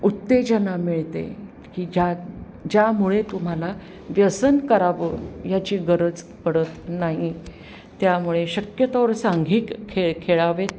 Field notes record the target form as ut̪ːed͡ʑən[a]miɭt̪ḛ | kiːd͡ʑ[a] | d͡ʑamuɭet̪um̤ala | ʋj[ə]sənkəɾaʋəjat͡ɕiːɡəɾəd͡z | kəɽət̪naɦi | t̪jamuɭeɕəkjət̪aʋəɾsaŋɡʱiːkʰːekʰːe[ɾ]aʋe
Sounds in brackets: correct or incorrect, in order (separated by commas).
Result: correct, correct, correct, incorrect